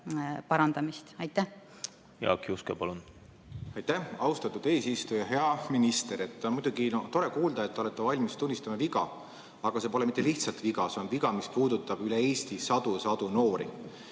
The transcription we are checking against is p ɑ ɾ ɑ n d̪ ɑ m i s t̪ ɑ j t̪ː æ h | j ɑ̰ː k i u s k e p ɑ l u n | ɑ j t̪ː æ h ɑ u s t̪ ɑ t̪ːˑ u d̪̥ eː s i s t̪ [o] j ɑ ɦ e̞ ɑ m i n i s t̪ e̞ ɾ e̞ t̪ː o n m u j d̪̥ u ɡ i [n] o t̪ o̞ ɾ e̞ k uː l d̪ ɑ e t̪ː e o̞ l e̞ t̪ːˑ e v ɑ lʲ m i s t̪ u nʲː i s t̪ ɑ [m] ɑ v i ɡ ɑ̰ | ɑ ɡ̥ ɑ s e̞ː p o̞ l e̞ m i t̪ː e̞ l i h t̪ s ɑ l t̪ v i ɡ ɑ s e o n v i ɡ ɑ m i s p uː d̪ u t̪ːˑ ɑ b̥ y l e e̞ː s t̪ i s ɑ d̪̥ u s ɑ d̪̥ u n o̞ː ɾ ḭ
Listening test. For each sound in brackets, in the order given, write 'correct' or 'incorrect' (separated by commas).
incorrect, correct, correct